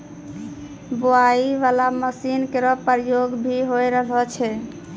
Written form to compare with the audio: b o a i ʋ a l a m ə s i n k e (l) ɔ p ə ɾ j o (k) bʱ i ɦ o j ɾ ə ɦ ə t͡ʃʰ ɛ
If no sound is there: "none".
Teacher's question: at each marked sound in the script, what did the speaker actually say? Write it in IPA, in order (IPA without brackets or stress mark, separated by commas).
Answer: ɾ, ɡ